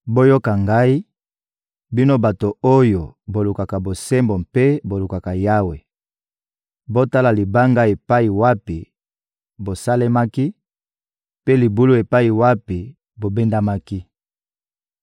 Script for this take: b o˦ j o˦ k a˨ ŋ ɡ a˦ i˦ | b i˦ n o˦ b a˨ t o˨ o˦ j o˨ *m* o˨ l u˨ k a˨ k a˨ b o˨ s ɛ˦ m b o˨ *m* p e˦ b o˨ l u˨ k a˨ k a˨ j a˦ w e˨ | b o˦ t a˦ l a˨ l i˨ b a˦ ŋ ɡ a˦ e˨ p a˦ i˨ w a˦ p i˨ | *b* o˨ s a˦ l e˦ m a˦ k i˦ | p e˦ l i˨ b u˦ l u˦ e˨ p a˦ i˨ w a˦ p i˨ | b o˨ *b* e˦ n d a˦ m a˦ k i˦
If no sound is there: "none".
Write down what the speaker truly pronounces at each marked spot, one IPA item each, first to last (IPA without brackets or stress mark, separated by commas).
b, m, b, b